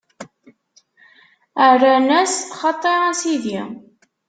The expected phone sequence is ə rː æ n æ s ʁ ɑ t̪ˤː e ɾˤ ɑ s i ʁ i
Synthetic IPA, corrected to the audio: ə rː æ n æ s χ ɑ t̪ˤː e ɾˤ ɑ s i ð i